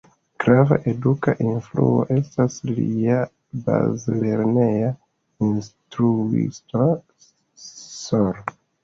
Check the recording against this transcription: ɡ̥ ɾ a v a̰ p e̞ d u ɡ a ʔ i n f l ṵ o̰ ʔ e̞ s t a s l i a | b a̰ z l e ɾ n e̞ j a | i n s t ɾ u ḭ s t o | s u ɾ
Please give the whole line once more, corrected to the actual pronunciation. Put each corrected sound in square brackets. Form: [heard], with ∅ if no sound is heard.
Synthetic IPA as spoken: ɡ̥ ɾ a v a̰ [ʔ] e̞ d u [k] a ʔ i n f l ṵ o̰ ʔ e̞ s t a s l i a | b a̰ z l e ɾ n e̞ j a | i n s t ɾ u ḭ s t o | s [o] ɾ